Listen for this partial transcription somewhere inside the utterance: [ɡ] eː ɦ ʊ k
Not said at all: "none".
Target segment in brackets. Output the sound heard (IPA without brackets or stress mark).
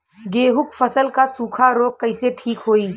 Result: ɡ